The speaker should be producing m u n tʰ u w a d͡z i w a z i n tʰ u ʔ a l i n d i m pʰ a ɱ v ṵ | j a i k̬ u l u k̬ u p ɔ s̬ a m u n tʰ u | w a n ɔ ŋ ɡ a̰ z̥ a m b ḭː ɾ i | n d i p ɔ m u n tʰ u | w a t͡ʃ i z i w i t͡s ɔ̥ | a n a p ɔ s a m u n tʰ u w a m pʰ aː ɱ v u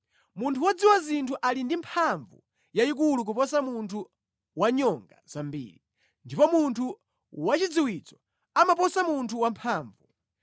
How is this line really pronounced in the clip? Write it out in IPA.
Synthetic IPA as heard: m u n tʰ u w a d͡z i w a z i n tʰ u ʔ a l i n d i m pʰ a ɱ v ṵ | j a i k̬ u l u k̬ u p ɔ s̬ a m u n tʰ u | w a ɲ ɔ ŋ ɡ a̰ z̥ a m b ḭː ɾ i | n d i p ɔ m u n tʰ u | w a t͡ʃ i d͡z i w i t͡s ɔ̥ | a m a p ɔ s a m u n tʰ u w a m pʰ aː ɱ v u